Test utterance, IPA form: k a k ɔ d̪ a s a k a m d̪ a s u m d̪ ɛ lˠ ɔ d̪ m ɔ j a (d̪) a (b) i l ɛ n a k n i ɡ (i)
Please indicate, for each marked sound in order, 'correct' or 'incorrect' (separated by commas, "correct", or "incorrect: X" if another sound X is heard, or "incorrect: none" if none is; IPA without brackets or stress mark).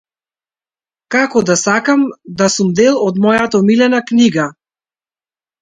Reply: incorrect: t̪, incorrect: m, incorrect: a